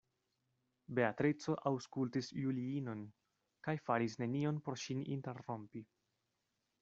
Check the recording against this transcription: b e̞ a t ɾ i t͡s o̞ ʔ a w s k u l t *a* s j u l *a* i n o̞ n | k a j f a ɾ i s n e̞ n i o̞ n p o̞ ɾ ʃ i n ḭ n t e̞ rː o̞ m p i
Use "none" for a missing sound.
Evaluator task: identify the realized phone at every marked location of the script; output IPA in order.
i, i

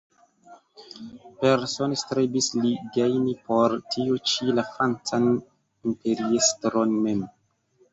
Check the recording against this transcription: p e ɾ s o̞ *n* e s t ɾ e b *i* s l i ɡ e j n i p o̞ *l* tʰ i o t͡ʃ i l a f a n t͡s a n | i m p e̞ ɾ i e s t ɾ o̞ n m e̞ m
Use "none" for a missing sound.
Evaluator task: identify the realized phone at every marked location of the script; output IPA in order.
n, i, ɾ

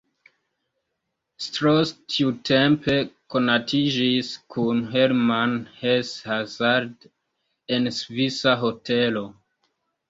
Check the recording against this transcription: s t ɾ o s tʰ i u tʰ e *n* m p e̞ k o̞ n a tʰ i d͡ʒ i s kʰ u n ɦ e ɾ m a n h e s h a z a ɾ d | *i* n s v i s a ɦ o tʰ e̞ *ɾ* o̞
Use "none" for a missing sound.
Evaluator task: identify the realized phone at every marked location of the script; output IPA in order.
none, e, l

